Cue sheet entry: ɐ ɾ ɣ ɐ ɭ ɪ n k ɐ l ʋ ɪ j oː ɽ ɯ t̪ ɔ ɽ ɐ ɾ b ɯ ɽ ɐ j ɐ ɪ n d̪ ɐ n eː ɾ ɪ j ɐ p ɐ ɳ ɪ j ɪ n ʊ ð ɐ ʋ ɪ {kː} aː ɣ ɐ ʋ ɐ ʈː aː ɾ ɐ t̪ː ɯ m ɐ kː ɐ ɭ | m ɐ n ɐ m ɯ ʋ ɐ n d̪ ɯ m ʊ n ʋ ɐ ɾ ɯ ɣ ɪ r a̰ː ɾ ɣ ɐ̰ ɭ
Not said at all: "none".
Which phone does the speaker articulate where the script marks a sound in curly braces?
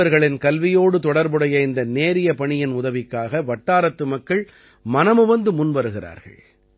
kː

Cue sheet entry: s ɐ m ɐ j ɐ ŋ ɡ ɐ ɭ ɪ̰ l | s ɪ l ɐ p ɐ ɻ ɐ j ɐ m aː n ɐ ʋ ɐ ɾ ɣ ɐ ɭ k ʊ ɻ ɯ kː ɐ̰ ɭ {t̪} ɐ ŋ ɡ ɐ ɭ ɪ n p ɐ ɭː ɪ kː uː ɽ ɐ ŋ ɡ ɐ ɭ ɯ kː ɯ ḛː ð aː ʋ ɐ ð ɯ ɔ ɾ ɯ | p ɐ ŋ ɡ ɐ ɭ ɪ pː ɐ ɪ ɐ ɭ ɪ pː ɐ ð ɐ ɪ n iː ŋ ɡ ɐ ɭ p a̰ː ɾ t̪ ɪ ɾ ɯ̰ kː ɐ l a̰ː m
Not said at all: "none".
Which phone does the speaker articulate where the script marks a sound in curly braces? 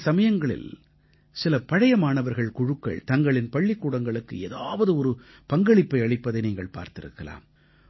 t̪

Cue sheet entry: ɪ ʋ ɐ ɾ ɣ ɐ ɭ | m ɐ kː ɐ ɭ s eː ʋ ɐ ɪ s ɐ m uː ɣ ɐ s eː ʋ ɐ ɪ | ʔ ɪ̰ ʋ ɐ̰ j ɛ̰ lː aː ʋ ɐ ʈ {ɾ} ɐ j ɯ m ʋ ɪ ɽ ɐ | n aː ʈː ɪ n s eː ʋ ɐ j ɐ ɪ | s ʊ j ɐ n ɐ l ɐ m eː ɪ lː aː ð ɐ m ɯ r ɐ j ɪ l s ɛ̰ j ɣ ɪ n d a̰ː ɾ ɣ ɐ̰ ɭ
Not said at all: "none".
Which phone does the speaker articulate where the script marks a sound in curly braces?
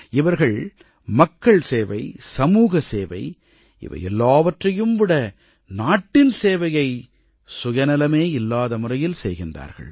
r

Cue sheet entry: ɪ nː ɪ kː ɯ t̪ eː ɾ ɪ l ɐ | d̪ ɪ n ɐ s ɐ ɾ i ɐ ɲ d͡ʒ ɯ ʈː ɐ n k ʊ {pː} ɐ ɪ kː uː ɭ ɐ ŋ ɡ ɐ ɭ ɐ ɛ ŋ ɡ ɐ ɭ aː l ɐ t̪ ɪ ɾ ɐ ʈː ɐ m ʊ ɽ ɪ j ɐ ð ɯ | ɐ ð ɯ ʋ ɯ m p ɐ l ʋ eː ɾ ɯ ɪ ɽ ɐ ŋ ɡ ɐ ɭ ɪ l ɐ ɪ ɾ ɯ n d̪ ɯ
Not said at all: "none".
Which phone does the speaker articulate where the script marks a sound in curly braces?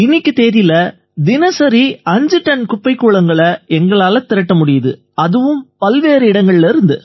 pː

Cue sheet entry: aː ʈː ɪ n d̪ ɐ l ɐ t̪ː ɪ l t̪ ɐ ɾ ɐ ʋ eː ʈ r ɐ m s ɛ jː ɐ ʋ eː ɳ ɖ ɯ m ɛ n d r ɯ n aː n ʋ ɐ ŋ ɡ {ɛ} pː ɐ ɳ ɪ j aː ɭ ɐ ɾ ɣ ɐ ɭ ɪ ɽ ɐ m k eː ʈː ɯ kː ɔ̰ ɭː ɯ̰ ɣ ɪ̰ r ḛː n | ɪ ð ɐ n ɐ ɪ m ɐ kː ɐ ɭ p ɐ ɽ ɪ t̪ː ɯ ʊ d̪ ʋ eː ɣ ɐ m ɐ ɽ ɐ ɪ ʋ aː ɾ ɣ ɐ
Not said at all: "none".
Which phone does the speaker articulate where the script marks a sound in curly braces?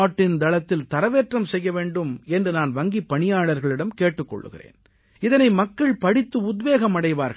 i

